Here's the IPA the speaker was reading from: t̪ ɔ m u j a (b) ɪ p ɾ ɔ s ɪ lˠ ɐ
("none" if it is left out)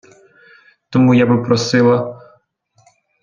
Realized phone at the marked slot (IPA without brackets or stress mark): b